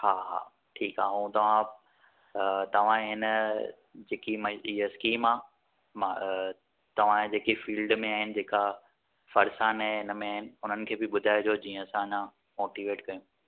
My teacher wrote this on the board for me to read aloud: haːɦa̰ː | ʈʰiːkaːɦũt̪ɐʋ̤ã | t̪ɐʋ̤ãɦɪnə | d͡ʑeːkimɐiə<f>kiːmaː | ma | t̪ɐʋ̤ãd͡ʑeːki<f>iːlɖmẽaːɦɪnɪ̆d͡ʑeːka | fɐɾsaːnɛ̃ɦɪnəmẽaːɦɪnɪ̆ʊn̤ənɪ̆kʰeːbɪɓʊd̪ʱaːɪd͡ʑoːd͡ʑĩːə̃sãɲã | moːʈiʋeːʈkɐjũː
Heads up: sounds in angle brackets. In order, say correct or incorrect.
incorrect, correct

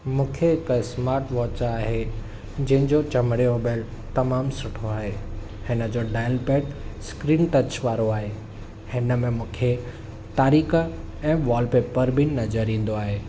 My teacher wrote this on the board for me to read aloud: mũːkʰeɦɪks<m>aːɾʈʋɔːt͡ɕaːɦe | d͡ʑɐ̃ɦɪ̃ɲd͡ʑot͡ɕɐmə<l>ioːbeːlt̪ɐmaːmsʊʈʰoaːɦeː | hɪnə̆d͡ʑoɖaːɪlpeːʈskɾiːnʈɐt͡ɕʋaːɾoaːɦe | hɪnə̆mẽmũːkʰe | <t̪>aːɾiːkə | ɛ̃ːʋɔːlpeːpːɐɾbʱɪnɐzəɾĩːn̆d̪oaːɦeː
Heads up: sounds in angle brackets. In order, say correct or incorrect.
correct, incorrect, correct

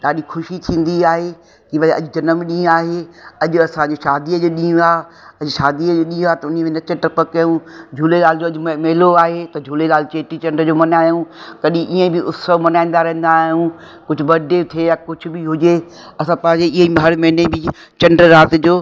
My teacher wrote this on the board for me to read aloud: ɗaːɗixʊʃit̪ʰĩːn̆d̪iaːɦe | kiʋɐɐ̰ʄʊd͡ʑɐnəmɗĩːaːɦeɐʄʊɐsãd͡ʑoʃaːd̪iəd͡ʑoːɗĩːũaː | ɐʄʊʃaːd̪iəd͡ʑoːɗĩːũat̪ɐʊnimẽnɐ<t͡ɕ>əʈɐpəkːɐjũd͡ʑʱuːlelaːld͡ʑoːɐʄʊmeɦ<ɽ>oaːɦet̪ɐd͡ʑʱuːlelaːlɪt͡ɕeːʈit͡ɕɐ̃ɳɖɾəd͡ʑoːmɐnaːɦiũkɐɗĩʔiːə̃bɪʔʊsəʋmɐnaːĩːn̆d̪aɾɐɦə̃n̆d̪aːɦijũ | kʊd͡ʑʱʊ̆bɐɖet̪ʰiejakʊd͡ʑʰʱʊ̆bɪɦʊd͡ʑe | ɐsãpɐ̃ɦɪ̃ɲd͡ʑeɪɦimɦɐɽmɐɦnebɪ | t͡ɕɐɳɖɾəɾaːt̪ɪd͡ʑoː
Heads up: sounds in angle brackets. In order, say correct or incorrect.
correct, incorrect

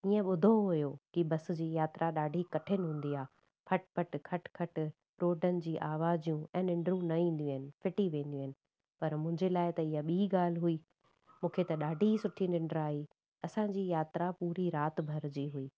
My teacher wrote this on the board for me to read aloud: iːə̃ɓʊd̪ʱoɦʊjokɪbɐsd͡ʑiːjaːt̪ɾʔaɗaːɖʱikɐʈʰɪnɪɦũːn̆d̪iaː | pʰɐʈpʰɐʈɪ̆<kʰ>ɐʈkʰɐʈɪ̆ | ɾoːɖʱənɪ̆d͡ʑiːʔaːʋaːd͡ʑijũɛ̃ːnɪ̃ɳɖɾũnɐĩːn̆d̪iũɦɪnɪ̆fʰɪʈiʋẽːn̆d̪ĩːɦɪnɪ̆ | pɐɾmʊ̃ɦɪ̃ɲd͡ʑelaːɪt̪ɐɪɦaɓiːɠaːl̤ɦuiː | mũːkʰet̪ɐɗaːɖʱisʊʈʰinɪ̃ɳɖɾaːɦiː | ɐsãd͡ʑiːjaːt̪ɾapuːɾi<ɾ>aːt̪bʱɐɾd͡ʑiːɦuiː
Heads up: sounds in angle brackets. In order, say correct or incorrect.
correct, correct

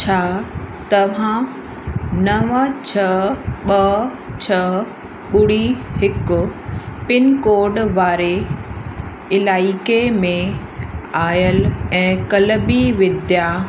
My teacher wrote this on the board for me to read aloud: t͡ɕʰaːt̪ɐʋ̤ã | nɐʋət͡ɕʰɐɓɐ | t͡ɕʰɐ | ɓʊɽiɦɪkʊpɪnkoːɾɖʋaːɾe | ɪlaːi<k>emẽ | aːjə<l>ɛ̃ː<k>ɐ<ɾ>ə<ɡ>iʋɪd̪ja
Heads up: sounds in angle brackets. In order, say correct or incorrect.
correct, correct, correct, incorrect, incorrect

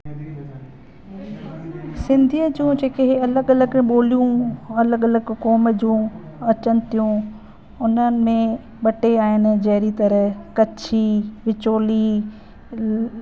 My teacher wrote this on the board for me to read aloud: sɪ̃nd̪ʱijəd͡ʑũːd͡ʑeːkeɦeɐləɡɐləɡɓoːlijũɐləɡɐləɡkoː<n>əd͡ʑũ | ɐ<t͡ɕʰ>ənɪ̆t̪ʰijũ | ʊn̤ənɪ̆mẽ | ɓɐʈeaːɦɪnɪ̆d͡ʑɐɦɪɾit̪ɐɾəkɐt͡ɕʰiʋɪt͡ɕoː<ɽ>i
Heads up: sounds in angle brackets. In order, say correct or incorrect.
incorrect, incorrect, incorrect

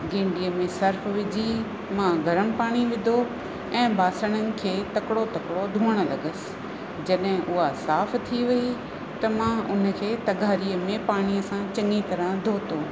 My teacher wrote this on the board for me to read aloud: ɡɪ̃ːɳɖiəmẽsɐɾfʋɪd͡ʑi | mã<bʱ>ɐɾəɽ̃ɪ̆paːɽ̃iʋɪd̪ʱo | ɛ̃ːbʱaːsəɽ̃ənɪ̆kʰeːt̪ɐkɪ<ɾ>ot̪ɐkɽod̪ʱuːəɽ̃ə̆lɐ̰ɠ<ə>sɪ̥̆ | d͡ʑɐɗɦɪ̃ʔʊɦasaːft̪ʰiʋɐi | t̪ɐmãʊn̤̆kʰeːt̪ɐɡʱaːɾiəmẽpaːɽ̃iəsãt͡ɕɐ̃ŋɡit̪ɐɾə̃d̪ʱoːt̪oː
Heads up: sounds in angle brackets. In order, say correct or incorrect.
incorrect, incorrect, correct

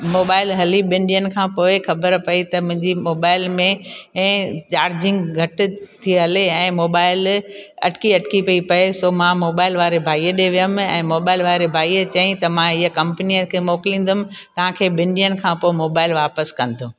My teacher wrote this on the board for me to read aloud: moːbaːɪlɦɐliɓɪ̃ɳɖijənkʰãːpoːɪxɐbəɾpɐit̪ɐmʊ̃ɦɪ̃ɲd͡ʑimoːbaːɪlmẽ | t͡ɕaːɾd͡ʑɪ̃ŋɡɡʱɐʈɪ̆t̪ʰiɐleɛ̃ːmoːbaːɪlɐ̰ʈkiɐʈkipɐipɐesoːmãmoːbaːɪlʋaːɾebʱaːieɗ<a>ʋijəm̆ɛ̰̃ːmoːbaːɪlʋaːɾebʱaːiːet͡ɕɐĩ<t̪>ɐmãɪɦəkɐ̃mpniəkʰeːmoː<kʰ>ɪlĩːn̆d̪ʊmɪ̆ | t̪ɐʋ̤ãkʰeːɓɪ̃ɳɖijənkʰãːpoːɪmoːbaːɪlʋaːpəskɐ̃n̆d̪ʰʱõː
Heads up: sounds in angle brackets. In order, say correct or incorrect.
incorrect, correct, incorrect

